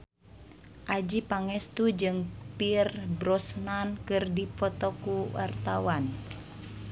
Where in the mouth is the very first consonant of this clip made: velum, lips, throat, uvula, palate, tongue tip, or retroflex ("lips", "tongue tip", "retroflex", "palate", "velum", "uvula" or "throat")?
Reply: throat